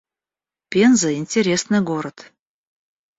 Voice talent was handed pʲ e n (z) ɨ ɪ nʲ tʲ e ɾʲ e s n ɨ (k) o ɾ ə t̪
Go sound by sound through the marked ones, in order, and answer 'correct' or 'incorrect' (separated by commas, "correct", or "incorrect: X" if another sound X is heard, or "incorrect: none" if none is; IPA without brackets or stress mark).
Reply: correct, incorrect: ɡ